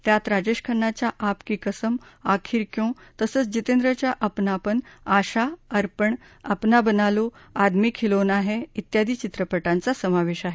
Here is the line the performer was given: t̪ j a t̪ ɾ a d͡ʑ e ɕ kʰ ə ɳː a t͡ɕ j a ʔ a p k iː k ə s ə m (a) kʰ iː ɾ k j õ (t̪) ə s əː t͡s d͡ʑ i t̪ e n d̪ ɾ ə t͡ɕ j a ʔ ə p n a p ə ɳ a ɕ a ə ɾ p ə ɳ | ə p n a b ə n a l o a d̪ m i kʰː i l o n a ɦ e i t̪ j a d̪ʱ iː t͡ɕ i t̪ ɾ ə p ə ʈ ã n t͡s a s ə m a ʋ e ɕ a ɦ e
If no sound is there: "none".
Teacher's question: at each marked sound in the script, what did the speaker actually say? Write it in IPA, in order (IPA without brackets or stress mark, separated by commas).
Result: a, t̪